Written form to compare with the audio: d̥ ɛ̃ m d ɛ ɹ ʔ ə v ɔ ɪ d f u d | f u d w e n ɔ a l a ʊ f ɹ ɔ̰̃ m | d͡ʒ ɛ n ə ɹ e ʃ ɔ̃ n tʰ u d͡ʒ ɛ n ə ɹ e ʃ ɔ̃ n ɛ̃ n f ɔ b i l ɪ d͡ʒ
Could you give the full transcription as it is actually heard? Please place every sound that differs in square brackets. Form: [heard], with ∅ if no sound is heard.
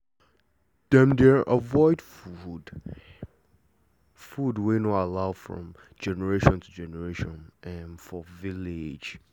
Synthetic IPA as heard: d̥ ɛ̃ m d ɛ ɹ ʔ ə v ɔ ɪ d f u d | f u d w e n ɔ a l a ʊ f ɹ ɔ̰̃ m | d͡ʒ ɛ n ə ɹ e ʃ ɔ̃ n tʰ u d͡ʒ ɛ n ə ɹ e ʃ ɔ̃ n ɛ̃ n f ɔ [v] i l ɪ d͡ʒ